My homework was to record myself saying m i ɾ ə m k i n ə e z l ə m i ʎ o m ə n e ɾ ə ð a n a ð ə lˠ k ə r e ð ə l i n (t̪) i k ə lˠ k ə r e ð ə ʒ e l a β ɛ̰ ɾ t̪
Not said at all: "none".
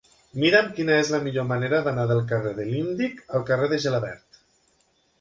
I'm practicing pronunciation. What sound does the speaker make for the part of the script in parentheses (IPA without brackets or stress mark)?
d̪